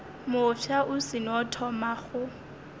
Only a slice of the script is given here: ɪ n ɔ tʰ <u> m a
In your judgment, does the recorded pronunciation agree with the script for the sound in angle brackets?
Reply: no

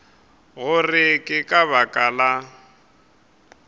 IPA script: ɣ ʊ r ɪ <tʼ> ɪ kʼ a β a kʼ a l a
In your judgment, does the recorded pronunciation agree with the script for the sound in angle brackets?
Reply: no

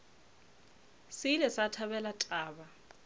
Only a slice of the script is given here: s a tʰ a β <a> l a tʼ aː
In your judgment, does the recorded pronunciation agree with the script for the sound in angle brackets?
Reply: no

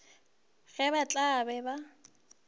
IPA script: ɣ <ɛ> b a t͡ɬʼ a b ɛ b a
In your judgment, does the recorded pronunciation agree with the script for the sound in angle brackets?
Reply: yes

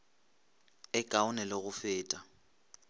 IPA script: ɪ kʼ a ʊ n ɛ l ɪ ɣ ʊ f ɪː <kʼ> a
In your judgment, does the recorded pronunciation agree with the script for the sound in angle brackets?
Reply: no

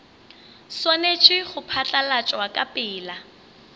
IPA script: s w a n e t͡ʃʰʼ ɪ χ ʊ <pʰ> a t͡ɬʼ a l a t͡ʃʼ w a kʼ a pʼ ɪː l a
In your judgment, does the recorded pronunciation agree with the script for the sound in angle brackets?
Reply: yes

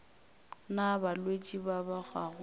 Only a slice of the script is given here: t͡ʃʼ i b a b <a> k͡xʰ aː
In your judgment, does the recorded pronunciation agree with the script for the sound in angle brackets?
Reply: yes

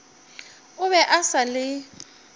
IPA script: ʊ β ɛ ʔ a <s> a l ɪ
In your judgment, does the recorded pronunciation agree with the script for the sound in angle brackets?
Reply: yes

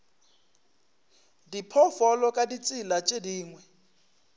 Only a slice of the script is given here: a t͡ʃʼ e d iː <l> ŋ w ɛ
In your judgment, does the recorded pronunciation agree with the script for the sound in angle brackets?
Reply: no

